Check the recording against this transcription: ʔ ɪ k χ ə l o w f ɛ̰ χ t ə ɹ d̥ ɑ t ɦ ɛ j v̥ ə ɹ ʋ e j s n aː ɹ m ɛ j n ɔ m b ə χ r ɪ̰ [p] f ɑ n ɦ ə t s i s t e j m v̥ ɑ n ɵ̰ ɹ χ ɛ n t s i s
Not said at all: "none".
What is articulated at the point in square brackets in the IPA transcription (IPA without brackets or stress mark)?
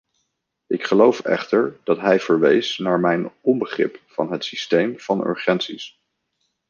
p